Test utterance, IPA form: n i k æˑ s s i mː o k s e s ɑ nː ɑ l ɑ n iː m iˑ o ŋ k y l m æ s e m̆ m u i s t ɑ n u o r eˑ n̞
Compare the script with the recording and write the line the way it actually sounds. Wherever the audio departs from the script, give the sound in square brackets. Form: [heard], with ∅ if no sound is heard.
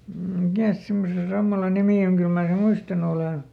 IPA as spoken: [m] i k æˑ s s i mː o [∅] s e s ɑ [mː] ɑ l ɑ n [i] m iˑ o ŋ k y l m [æː] s e m̆ m u i s t ɑ n u o [l] eˑ n̞